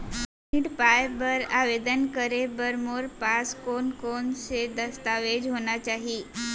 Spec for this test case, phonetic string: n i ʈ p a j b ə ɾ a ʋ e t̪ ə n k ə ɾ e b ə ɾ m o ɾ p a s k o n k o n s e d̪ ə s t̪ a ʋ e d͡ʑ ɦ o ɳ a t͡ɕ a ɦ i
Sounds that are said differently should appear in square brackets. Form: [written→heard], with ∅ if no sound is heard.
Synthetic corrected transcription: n i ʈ p a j b ə ɾ a ʋ e [t̪→d̪] ə n k ə ɾ e b ə ɾ m o ɾ p a s k o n k o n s e d̪ ə s t̪ a ʋ e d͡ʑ ɦ o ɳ a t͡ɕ a ɦ i

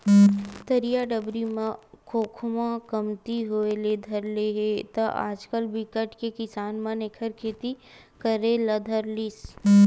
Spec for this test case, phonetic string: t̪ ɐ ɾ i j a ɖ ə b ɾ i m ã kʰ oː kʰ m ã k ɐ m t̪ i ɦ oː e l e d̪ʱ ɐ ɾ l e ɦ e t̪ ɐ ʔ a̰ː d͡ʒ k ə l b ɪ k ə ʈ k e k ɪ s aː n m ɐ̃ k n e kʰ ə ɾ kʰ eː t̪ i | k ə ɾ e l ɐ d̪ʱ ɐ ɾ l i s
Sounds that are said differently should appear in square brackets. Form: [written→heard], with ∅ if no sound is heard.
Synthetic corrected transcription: t̪ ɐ ɾ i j a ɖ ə b ɾ i m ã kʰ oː kʰ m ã k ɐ m t̪ i ɦ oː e l e d̪ʱ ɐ ɾ l e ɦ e t̪ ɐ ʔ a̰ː d͡ʒ k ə l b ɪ k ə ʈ k e k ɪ s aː n m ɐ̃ [k→∅] n e kʰ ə ɾ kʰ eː t̪ i | k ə ɾ e l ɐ d̪ʱ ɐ ɾ l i s

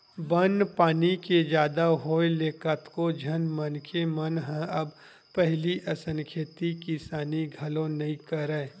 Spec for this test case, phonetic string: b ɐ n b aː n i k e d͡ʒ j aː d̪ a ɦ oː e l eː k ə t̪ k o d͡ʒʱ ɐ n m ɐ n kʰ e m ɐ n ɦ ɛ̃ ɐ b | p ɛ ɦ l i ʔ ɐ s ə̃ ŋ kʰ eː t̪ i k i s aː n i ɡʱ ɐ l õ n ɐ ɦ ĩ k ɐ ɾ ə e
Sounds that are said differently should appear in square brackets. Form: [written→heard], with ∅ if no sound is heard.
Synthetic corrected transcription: b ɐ n [b→p] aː n i k e d͡ʒ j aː d̪ a ɦ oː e l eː k ə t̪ k o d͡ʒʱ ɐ n m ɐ n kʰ e m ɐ n ɦ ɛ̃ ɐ b | p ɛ ɦ l i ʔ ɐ s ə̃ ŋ kʰ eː t̪ i k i s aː n i ɡʱ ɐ l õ n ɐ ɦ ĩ k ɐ ɾ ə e

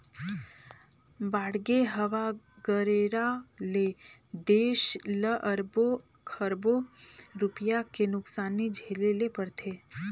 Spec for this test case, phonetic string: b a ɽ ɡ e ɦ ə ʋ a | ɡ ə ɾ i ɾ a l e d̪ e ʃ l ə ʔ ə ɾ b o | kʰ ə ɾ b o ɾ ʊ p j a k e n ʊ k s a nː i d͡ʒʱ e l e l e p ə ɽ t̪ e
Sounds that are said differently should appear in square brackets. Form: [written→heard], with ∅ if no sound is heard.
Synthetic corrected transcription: b a ɽ ɡ e ɦ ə ʋ a | ɡ ə ɾ [i→e] ɾ a l e d̪ e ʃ l ə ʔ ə ɾ b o | kʰ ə ɾ b o ɾ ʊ p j a k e n ʊ k s a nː i d͡ʒʱ e l e l e p ə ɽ [t̪→t̪ʰ] e

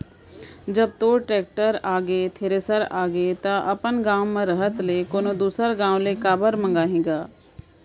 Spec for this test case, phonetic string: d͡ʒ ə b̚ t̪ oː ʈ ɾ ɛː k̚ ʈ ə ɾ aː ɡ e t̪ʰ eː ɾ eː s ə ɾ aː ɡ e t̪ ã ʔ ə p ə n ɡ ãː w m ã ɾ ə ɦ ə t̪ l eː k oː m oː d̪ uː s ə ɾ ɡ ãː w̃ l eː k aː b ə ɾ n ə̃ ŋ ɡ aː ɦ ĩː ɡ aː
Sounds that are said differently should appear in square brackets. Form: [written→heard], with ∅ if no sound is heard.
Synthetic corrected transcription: d͡ʒ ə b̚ t̪ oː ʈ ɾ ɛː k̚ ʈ ə ɾ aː ɡ e t̪ʰ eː ɾ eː s ə ɾ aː ɡ e t̪ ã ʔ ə p ə n ɡ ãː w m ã ɾ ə ɦ ə t̪ l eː k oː [m→n] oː d̪ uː s ə ɾ ɡ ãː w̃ l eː k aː b ə ɾ [n→m] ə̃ ŋ ɡ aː ɦ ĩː ɡ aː

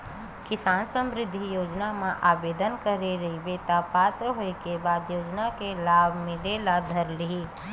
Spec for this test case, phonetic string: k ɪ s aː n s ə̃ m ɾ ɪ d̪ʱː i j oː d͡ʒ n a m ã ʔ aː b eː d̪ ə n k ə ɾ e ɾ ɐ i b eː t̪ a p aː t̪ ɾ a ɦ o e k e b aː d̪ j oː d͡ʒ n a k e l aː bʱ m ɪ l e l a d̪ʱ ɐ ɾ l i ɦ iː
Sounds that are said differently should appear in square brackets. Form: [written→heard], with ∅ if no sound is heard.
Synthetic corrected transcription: k ɪ s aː n s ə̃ m ɾ ɪ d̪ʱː i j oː d͡ʒ n a m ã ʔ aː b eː d̪ ə n k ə ɾ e ɾ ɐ i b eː t̪ a p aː t̪ ɾ [a→ə] ɦ o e k e b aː d̪ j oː d͡ʒ n a k e l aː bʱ m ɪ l e l a d̪ʱ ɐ ɾ l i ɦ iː

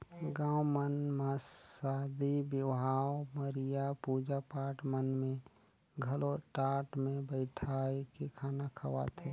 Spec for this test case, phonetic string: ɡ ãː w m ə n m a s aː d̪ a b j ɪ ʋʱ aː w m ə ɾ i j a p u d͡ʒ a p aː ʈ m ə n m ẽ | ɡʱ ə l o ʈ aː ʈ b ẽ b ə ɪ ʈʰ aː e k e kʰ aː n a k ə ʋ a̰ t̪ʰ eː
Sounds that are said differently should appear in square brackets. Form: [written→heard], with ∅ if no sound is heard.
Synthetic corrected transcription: ɡ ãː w m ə n m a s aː d̪ [a→i] b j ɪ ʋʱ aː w m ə ɾ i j a p u d͡ʒ a p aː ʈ m ə n m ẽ | ɡʱ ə l o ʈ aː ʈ [b→m] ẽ b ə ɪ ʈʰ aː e k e kʰ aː n a [k→kʰ] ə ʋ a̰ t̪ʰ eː

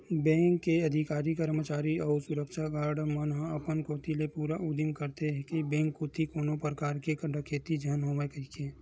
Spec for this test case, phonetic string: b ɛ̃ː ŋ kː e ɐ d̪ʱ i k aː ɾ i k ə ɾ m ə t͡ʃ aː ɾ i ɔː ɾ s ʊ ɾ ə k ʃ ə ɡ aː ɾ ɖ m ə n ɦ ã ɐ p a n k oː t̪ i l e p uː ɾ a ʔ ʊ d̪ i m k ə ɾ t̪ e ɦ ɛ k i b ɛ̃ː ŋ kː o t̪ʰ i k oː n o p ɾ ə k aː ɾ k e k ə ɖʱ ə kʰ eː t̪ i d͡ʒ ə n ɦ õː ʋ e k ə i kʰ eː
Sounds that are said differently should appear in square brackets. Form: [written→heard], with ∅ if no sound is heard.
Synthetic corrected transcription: b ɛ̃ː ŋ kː e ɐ d̪ʱ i k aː ɾ i k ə ɾ m ə t͡ʃ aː ɾ i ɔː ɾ s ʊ ɾ ə k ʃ [ə→a] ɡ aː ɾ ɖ m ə n ɦ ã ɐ p [a→ə] n k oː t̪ i l e p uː ɾ a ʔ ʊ d̪ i m k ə ɾ t̪ e ɦ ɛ k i b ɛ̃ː ŋ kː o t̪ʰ i k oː n o p ɾ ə k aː ɾ k e k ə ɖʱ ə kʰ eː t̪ i d͡ʒ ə n ɦ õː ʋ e k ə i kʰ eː

